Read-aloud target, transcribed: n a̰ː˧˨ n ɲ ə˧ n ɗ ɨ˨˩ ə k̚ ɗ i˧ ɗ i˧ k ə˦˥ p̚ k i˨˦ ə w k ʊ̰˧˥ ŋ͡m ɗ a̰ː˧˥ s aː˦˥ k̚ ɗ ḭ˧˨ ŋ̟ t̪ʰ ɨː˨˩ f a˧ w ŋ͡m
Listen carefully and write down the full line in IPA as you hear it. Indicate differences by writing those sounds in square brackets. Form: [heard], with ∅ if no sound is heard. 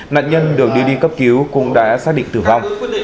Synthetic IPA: n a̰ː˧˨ n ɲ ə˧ n ɗ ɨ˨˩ ə k̚ ɗ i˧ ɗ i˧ k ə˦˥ p̚ k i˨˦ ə w k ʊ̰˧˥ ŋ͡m ɗ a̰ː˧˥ s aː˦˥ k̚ ɗ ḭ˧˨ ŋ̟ [t̪] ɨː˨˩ [v] a˧ w ŋ͡m